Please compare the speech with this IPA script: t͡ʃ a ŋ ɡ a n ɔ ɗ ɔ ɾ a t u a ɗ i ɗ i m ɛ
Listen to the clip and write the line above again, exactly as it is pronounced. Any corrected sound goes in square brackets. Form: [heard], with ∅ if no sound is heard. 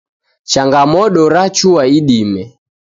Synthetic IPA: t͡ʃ a ŋ ɡ a [m] ɔ ɗ ɔ ɾ a [t͡ʃ] u a [∅] i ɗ i m ɛ